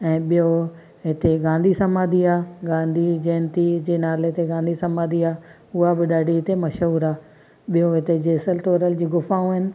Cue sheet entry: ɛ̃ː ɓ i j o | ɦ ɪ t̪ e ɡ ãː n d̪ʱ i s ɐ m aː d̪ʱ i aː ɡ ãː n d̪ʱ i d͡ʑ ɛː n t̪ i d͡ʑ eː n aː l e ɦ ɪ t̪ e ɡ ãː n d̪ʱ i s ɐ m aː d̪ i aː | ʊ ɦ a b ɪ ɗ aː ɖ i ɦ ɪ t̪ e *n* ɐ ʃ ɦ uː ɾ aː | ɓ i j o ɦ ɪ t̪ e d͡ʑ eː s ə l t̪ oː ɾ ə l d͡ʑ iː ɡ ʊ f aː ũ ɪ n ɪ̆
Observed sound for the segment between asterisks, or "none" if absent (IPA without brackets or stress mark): m